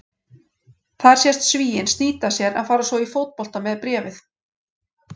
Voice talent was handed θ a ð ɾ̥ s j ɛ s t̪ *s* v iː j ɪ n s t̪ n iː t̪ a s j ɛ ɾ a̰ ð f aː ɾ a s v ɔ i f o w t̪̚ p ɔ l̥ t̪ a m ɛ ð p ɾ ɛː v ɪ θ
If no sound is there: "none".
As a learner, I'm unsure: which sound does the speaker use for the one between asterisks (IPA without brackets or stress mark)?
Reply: s